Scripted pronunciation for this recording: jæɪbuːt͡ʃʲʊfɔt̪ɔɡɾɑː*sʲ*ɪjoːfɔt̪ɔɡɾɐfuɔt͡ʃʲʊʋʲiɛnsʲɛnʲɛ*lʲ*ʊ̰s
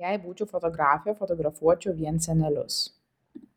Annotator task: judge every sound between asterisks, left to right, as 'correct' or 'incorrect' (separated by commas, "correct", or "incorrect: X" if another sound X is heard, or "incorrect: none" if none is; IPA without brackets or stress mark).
incorrect: fʲ, correct